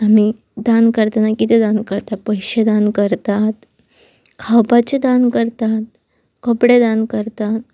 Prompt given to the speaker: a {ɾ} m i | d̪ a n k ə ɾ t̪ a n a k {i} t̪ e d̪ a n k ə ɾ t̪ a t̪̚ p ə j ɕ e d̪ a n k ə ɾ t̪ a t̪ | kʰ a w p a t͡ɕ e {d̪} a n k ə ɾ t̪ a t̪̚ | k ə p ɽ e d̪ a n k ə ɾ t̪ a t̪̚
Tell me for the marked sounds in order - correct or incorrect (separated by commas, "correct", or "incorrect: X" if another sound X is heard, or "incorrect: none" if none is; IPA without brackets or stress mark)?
incorrect: none, correct, correct